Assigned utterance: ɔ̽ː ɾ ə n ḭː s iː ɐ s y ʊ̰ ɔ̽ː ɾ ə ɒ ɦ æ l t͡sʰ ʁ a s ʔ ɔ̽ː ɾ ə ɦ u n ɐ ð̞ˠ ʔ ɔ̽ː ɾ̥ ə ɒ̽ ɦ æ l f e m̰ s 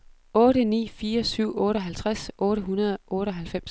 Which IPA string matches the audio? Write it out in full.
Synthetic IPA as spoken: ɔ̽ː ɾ ə n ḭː f iː ɐ s y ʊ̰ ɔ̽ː ɾ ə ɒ ɦ æ l t͡sʰ ʁ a s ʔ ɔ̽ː ɾ ə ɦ u n ɐ ð̞ˠ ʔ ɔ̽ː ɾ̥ ə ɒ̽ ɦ æ l f e m̰ s